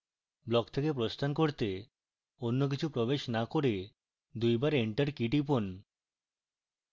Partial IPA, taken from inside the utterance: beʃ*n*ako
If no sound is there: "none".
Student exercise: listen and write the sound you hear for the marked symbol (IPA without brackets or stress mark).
n